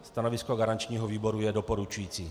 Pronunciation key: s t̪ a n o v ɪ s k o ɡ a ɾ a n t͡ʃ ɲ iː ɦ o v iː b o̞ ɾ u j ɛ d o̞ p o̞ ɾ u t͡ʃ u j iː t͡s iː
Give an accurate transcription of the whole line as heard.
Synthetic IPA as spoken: s t̪ a n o v ɪ s k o ɡ a ɾ a n t͡ʃ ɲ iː ɦ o v iː b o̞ ɾ u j ɛ d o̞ p o̞ ɾ u t͡ʃ u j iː t͡s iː